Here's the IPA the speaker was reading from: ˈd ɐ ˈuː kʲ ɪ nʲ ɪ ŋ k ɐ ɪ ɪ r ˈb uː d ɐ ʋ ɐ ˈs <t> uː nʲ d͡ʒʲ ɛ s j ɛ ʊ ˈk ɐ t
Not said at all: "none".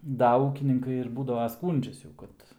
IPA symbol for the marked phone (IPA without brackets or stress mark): k